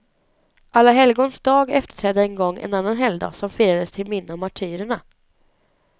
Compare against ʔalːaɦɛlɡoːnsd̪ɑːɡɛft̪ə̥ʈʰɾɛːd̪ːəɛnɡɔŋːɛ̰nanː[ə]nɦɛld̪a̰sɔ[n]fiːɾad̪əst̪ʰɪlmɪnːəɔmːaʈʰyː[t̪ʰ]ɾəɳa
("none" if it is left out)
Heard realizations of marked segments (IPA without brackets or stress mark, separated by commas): a, m, none